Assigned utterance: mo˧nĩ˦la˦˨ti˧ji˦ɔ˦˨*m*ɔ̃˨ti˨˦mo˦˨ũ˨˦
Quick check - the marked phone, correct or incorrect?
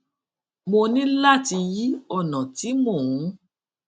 incorrect